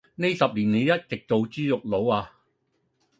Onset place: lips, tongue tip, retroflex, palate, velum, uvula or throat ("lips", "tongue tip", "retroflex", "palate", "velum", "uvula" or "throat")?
tongue tip